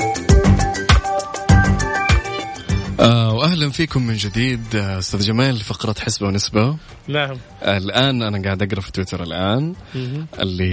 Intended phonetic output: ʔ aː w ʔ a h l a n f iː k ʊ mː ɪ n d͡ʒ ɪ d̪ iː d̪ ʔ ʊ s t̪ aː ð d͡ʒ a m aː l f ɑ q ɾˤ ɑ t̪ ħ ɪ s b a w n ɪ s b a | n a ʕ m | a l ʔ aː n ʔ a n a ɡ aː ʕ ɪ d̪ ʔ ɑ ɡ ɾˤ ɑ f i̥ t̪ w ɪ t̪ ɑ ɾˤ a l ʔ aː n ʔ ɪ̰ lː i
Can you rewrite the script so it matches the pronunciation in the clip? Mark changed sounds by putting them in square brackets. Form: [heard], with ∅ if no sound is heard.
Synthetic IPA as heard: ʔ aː w ʔ a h l a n f iː k ʊ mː ɪ n d͡ʒ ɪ d̪ iː d̪ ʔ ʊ s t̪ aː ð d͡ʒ a m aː l f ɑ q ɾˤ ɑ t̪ ħ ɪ s b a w n ɪ s b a | n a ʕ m | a l ʔ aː n ʔ a n a ɡ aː ʕ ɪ d̪ ʔ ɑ ɡ ɾˤ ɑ f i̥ t̪ w ɪ t̪ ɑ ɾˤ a l ʔ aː n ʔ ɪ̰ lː i